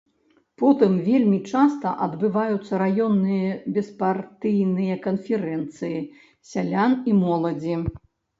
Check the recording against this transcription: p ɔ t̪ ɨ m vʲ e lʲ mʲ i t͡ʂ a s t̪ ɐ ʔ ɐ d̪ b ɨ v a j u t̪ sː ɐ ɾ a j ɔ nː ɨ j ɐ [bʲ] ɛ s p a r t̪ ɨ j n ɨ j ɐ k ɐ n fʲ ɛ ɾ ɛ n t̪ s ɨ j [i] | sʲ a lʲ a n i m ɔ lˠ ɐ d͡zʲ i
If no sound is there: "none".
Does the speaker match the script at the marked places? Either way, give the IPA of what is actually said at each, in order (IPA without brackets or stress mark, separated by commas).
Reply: bʲ, i